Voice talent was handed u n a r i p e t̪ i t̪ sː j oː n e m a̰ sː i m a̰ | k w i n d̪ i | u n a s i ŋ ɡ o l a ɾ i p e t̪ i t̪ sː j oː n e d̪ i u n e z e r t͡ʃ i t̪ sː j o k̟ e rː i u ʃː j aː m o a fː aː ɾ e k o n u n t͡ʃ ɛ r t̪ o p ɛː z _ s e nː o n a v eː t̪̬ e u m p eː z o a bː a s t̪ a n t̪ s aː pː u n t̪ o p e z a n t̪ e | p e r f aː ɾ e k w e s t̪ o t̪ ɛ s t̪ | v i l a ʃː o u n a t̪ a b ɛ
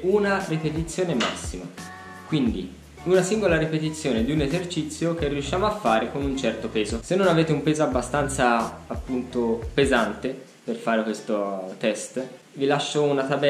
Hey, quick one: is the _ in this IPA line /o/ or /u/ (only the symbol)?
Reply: o